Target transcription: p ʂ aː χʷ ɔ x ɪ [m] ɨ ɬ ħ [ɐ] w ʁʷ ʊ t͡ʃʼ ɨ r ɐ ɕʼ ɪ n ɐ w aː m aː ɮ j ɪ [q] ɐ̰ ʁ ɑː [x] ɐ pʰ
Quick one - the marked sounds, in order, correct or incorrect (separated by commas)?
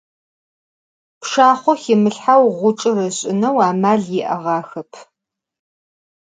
correct, incorrect, incorrect, correct